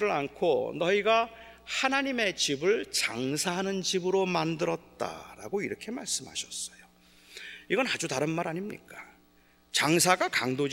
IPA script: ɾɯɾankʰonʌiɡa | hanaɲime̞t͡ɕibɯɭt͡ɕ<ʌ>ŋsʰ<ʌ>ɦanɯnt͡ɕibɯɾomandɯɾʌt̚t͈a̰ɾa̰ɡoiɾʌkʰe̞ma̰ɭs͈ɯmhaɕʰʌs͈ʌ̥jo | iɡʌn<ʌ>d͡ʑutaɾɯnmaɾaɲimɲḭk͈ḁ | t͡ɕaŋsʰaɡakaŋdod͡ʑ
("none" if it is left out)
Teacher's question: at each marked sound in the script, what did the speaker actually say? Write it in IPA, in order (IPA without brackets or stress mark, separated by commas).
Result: a, a, a